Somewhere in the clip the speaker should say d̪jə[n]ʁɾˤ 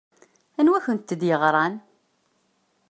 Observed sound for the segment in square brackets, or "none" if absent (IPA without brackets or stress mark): none